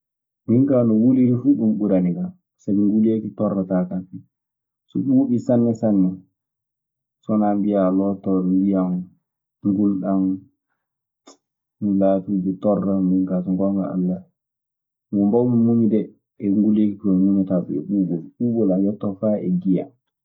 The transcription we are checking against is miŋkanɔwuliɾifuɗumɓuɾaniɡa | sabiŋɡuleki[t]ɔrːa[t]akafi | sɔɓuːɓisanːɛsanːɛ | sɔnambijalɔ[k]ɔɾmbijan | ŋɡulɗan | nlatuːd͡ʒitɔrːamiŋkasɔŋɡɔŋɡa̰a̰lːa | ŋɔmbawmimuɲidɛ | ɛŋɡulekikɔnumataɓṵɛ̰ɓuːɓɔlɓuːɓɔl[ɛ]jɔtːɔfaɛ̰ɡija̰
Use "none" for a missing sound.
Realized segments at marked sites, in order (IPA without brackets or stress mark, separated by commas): t, t, t, a